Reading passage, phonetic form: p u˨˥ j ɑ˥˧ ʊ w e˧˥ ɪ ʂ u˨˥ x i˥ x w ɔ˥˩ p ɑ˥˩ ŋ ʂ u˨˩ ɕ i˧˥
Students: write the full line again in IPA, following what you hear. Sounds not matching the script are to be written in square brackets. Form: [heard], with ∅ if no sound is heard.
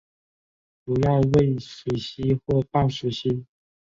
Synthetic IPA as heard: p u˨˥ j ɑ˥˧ ʊ w [e˥˩] ɪ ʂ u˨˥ [ɕ] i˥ x w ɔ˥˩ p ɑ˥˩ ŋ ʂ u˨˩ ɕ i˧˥